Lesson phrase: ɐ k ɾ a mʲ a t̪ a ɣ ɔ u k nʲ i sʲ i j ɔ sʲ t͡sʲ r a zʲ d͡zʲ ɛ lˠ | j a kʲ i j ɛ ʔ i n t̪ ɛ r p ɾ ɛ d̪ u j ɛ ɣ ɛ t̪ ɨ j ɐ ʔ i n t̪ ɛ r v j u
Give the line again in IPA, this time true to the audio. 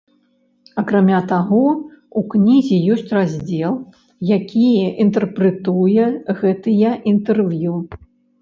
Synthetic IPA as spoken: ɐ k ɾ a mʲ a t̪ a ɣ ɔ u k nʲ i zʲ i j ɔ sʲ t͡sʲ r a zʲ d͡zʲ ɛ lˠ | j a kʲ i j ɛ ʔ i n t̪ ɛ r p ɾ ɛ t̪ u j ɛ ɣ ɛ t̪ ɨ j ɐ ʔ i n t̪ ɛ r v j u